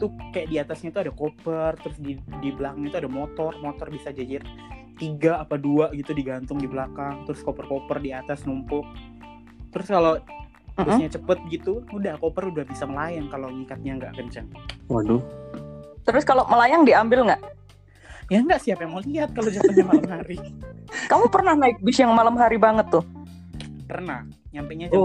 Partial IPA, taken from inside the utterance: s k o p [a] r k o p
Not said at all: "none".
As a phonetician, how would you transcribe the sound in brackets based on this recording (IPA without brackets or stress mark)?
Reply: ə